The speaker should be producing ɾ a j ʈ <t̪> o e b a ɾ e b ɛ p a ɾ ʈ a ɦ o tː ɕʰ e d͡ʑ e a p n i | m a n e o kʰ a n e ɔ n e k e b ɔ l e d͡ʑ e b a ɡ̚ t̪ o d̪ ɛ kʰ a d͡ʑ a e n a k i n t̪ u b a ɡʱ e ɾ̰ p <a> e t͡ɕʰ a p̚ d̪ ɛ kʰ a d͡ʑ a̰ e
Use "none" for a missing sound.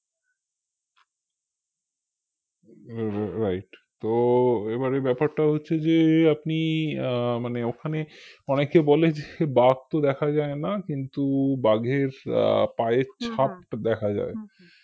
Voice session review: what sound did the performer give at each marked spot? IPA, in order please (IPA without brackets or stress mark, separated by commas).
t̪, a